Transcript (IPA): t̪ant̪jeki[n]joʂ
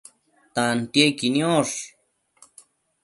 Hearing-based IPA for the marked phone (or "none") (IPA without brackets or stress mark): n